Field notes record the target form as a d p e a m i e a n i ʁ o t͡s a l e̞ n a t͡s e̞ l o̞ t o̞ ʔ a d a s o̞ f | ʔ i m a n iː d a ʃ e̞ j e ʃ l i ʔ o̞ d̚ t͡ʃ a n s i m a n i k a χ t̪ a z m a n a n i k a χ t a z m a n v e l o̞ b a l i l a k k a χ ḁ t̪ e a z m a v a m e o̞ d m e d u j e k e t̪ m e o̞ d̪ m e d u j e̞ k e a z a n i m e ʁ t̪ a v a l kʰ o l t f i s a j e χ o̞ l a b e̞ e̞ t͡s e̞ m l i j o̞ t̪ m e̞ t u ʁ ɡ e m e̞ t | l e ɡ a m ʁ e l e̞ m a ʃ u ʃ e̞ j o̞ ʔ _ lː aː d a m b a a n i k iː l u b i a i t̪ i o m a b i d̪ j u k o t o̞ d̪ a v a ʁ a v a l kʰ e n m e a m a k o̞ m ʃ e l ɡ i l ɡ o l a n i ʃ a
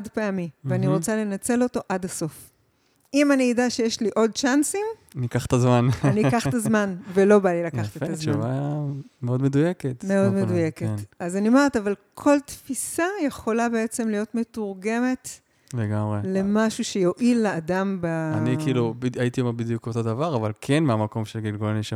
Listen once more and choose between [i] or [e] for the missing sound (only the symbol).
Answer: i